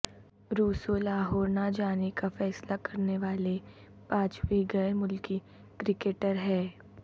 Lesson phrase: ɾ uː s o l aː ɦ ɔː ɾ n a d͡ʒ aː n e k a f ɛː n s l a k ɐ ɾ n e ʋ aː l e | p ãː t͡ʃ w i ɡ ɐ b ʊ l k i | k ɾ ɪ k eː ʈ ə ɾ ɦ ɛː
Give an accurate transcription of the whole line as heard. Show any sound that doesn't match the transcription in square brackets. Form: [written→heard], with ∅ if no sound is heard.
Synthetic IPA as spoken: ɾ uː s o l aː ɦ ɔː ɾ n a d͡ʒ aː n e k a f ɛː [n→∅] s l a k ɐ ɾ n e ʋ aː l e | p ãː t͡ʃ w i ɡ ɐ [b→m] ʊ l k i | k ɾ ɪ k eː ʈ ə ɾ ɦ ɛː